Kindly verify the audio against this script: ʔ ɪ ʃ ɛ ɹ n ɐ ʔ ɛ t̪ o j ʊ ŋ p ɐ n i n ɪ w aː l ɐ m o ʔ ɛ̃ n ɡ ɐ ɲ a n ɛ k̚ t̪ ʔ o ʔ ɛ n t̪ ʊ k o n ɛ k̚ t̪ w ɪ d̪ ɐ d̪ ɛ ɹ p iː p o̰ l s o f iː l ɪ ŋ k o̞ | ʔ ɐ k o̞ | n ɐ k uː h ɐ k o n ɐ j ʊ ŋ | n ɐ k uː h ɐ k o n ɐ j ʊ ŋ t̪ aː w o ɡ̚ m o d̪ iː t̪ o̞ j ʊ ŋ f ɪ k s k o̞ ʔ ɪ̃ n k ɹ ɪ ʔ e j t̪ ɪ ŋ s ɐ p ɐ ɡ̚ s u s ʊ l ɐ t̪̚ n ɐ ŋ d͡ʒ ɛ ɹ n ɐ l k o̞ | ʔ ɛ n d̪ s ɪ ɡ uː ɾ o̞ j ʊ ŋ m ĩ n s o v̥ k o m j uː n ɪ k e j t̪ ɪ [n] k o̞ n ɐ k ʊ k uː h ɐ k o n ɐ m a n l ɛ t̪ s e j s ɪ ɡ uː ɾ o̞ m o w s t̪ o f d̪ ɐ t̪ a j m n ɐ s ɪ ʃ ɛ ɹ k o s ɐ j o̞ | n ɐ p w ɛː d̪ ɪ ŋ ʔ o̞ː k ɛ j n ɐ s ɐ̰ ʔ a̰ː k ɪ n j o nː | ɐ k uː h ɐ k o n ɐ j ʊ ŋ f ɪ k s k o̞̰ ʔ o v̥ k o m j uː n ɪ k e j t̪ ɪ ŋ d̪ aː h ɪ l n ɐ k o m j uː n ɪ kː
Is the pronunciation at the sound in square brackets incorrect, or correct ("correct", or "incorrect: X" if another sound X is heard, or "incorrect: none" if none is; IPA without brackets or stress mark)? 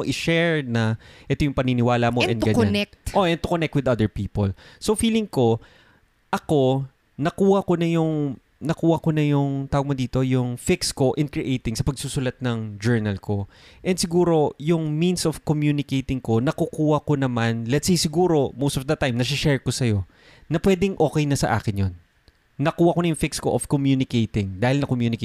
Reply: incorrect: ŋ